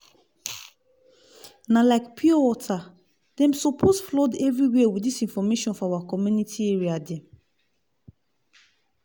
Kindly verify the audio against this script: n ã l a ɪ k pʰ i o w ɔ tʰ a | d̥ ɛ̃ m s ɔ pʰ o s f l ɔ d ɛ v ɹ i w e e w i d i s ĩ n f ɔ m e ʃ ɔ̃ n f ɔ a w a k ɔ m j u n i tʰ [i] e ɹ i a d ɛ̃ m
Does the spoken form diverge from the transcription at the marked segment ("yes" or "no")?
no